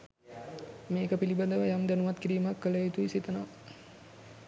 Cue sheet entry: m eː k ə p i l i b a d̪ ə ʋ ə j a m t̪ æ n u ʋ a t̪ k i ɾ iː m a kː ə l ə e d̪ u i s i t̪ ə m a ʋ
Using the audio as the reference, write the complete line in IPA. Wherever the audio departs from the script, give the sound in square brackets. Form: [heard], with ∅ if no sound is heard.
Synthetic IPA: m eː k ə p i l i b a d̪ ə ʋ ə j a m [d̪] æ n u ʋ a t̪ k i ɾ iː m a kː ə l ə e [t̪] u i s i t̪ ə [n] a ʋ